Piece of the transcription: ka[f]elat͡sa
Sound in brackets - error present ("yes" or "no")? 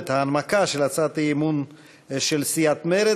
yes